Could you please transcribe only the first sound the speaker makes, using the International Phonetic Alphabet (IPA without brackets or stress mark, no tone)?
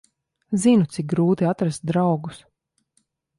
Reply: z